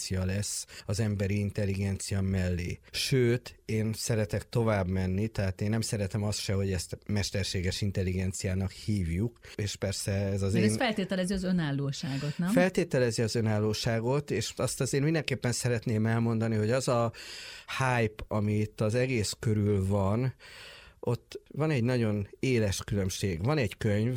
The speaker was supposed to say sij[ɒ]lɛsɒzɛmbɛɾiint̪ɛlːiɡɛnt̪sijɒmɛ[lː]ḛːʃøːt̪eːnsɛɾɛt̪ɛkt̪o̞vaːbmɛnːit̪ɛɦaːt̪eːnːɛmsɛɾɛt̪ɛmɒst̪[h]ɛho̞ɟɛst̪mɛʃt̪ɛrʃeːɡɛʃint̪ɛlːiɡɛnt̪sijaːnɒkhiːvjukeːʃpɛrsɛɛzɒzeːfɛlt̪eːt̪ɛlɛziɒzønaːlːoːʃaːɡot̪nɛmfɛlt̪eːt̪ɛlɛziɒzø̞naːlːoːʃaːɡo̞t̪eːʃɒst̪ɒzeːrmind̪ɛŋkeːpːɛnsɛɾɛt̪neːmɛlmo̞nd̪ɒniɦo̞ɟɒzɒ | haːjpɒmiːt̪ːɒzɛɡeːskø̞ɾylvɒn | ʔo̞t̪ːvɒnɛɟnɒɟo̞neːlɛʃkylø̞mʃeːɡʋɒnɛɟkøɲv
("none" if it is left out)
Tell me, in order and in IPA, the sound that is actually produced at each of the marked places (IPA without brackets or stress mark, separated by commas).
ɒ, lː, ʃ